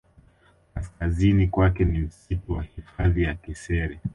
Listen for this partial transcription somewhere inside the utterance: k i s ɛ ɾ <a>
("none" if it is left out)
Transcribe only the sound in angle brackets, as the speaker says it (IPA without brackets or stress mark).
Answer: ɛ